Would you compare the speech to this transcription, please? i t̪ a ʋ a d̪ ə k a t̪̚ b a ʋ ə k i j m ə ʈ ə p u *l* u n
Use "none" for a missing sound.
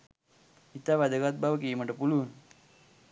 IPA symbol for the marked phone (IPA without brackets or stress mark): l